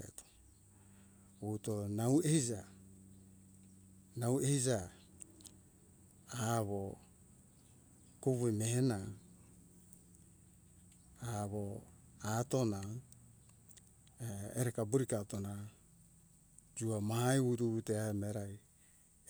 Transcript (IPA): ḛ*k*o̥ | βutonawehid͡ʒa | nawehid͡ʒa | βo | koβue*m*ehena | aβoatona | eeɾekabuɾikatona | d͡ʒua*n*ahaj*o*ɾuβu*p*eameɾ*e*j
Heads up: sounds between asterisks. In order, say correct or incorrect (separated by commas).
incorrect, correct, incorrect, incorrect, incorrect, incorrect